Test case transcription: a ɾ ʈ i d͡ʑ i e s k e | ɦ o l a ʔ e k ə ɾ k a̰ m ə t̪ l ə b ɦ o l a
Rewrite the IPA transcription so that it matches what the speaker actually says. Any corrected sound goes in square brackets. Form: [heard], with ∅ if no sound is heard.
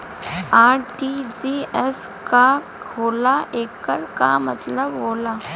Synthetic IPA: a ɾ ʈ i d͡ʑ i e s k [a] | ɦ o l a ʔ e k ə ɾ k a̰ m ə t̪ l ə b ɦ o l a